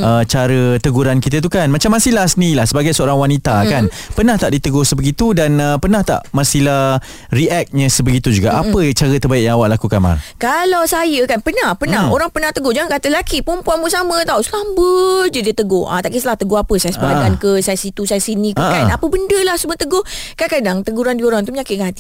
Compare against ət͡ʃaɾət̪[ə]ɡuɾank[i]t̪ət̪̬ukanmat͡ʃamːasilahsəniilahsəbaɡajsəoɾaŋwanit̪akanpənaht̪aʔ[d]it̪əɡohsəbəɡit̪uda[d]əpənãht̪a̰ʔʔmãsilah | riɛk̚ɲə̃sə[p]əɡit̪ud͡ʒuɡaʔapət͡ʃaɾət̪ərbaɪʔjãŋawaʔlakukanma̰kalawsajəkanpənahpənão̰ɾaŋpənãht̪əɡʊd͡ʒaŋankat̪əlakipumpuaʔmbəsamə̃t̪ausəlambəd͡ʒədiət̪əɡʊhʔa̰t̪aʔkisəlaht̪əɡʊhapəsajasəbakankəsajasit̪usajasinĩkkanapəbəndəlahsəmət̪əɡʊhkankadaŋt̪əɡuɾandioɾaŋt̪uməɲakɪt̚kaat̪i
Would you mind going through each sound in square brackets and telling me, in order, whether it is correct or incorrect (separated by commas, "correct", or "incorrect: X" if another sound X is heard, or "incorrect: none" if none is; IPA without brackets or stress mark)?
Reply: correct, correct, correct, incorrect: n, incorrect: b